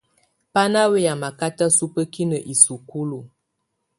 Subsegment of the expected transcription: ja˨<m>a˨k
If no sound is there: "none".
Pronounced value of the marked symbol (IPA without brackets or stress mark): m